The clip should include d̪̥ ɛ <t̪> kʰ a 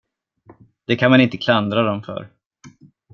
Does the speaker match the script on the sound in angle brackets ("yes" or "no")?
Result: no